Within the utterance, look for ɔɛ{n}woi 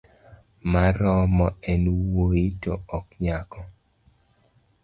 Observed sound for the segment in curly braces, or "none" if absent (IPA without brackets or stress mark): n